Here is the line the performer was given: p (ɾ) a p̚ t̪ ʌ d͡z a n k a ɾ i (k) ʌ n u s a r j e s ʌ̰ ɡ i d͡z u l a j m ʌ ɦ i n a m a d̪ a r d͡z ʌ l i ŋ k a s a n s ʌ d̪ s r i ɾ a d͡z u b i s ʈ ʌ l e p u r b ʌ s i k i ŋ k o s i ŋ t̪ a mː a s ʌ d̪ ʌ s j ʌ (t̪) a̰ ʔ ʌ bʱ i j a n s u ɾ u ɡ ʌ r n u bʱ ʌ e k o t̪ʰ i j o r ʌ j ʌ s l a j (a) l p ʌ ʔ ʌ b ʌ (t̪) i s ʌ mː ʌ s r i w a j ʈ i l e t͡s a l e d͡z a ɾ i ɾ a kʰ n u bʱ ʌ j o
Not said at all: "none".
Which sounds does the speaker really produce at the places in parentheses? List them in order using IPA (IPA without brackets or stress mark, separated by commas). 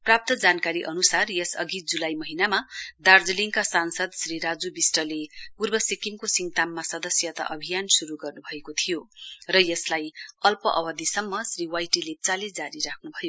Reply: r, ʔ, t̪, ʌ, d̪